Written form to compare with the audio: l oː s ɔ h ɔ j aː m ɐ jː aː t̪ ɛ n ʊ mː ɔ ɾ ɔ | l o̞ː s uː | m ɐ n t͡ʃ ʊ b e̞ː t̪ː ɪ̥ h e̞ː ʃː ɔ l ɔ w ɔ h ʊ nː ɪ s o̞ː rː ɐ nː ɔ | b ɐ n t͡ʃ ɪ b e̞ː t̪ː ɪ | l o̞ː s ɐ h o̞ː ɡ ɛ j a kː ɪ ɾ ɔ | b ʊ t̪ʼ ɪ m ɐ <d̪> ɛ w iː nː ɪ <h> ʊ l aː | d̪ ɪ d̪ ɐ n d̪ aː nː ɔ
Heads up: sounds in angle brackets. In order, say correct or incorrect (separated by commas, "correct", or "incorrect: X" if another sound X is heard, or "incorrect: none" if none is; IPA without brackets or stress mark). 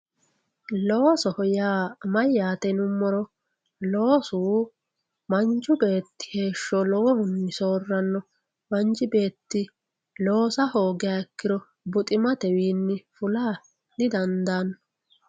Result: incorrect: t̪, incorrect: f